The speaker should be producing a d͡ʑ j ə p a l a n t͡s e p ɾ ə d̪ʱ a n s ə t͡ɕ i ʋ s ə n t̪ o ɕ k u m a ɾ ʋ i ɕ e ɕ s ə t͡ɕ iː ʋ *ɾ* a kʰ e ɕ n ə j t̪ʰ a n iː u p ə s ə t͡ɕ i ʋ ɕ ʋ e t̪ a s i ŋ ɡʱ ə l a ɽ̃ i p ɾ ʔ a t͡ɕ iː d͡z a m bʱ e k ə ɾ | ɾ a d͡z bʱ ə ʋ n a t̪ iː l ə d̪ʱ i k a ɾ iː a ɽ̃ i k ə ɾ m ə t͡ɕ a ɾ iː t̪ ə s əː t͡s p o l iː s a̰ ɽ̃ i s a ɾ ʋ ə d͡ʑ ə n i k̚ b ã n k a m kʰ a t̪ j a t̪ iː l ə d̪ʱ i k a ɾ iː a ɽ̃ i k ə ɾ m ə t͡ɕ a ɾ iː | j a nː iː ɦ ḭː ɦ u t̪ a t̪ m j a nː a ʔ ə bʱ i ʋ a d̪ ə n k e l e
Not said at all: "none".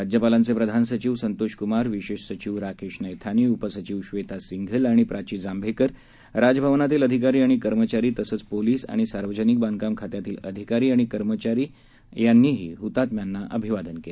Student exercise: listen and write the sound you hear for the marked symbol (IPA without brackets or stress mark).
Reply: ɾ